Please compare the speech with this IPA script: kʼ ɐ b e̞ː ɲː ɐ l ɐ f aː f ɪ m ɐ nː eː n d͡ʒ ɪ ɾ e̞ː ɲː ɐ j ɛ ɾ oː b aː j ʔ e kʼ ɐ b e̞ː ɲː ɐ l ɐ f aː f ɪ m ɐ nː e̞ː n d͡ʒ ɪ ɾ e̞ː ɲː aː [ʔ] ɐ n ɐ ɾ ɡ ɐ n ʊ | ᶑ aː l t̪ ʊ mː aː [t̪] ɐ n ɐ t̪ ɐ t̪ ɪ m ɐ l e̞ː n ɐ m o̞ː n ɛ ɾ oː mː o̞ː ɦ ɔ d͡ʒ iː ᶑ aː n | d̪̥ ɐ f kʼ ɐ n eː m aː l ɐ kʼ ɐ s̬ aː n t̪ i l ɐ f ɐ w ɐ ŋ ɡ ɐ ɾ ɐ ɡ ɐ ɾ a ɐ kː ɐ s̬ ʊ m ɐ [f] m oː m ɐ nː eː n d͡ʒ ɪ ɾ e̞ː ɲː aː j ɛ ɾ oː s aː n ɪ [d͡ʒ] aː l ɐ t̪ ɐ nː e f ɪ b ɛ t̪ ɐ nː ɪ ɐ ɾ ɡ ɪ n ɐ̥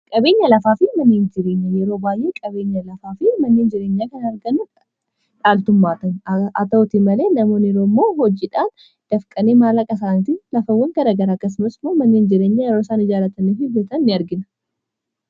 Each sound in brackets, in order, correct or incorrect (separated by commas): incorrect, correct, incorrect, correct